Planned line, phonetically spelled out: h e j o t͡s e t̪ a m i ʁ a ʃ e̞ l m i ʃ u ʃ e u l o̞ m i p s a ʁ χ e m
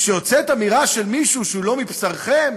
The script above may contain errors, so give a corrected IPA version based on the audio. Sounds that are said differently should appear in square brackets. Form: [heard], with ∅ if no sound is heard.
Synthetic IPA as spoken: [ʃ] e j o t͡s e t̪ a m i ʁ a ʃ e̞ l m i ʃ u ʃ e u l o̞ m i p s a ʁ χ e m